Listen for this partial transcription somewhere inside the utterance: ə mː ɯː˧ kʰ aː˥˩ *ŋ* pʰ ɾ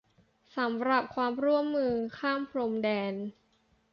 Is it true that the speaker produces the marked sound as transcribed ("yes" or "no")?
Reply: no